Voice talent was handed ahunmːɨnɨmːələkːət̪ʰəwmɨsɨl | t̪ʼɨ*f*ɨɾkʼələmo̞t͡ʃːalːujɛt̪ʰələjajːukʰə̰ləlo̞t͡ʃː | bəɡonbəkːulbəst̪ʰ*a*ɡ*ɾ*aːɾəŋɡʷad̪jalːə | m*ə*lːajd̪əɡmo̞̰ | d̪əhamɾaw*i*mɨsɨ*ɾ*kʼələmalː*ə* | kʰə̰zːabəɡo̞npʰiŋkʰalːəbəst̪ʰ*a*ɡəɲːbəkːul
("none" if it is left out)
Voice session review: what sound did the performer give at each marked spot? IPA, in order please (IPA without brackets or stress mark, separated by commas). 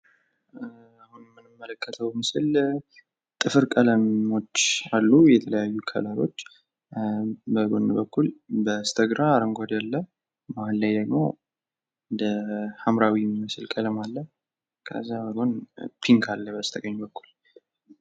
f, ə, ɾ, a, i, l, ə, ə